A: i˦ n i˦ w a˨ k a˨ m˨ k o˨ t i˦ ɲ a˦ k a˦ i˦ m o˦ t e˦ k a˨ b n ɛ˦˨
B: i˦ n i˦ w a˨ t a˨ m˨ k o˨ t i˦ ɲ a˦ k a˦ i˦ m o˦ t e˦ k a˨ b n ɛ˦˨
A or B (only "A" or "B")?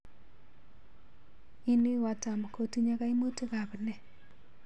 B